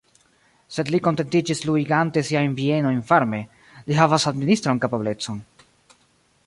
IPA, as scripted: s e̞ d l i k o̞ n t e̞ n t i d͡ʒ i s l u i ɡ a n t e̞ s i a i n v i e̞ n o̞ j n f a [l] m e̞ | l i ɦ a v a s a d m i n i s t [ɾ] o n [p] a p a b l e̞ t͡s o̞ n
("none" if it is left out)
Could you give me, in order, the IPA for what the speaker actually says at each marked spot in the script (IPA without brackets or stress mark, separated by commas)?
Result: ɾ, ɾ, k